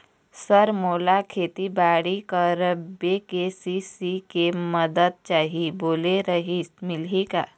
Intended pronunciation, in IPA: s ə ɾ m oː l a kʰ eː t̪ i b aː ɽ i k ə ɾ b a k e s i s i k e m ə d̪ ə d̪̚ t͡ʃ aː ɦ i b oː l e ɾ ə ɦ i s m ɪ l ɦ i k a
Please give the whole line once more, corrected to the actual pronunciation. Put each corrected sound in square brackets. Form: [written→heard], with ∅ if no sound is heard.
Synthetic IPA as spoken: s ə ɾ m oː l a kʰ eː t̪ i b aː ɽ i k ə ɾ b [a→e] k e s i s i k e m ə d̪ ə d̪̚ t͡ʃ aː ɦ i b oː l e ɾ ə ɦ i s m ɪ l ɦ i k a